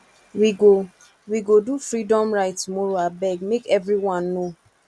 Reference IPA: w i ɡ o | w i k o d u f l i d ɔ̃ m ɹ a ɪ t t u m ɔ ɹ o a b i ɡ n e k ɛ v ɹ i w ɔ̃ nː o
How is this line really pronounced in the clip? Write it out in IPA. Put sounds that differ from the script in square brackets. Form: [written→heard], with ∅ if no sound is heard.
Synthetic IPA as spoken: w i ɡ o | w i [k→ɡ] o d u f [l→ɹ] i d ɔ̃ m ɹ a ɪ t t u m ɔ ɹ o a b [i→ɛ] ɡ [n→m] e k ɛ v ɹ i w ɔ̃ nː o